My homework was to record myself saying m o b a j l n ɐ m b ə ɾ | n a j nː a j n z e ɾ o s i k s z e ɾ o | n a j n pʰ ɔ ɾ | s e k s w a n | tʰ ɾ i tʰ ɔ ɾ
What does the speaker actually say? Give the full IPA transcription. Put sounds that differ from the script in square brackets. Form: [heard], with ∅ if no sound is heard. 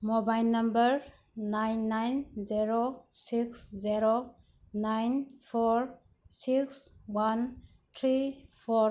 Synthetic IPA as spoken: m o b a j l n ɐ m b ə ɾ | n a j nː a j n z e ɾ o s i k s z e ɾ o | n a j n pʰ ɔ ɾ | s [i] k s w a n | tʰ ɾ i [pʰ] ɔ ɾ

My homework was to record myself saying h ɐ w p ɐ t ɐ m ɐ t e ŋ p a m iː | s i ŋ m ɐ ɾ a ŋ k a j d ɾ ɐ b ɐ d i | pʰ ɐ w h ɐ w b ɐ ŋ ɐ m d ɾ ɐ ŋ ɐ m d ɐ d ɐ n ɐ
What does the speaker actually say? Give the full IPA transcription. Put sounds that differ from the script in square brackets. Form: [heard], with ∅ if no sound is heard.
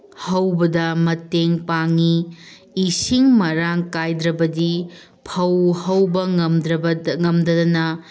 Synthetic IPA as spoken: h ɐ w [b] ɐ [d] ɐ m ɐ t e ŋ p a [ŋ] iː | s i ŋ m ɐ ɾ a ŋ k a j d ɾ ɐ b ɐ d i | pʰ ɐ w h ɐ w b ɐ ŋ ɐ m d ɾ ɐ ŋ ɐ m d ɐ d ɐ n ɐ

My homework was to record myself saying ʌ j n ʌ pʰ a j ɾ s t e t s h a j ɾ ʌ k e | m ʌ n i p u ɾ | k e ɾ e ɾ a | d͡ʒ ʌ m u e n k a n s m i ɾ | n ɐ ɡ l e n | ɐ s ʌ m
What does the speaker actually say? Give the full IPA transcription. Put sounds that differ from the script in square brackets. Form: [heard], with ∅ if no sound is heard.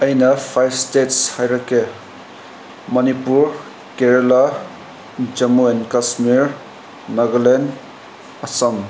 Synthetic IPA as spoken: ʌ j n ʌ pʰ a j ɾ s t e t s h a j ɾ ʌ k e | m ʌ n i p u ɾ | k e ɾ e [l] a | d͡ʒ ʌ m u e n k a [∅] s m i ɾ | n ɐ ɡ l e n | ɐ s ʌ m

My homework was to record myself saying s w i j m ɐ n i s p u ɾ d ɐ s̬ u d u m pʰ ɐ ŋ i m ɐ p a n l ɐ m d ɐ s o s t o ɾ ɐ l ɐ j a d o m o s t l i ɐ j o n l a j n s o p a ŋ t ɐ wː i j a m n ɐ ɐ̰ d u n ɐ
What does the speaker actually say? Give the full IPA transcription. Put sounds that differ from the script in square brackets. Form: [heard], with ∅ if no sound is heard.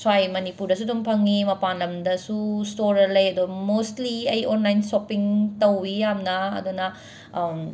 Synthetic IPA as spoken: s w [a] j m ɐ n i [∅] p u ɾ d ɐ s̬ u d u m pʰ ɐ ŋ i m ɐ p a n l ɐ m d ɐ s [u] s t o ɾ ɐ l ɐ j [ɐ] d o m o s t l i ɐ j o n l a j n s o p [i] ŋ t ɐ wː i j a m n ɐ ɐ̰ d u n ɐ

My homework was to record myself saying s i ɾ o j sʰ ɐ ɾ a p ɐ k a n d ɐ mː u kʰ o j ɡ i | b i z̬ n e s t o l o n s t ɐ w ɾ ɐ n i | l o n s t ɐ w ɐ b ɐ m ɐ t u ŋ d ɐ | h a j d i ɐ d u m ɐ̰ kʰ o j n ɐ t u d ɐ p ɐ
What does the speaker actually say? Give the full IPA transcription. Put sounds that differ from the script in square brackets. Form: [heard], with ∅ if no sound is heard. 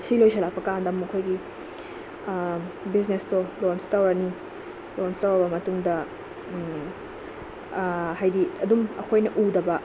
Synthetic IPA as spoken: s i [l] o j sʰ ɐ [l] a p ɐ k a n d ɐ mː u kʰ o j ɡ i | b i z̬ n e s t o l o n s t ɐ w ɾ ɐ n i | l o n s t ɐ w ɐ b ɐ m ɐ t u ŋ d ɐ | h a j d i ɐ d u m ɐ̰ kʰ o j n ɐ [ʔ] u d ɐ [b] ɐ

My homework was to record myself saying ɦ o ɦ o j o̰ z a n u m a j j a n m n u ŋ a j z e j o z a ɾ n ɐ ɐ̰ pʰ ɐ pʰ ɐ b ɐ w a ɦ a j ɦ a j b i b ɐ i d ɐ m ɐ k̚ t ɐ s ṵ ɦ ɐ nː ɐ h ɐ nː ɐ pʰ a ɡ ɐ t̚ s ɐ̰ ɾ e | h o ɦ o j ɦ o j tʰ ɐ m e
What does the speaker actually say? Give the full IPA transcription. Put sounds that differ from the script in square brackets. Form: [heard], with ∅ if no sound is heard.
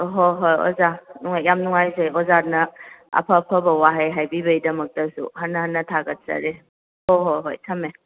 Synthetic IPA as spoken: ɦ o ɦ o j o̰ z a n u [ŋ] a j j a [∅] m n u ŋ a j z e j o z a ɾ n ɐ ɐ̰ pʰ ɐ pʰ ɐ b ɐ w a ɦ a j ɦ a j b i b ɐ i d ɐ m ɐ k̚ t ɐ s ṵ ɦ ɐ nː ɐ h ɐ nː ɐ [tʰ] a ɡ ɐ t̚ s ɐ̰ ɾ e | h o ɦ o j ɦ o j tʰ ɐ m e

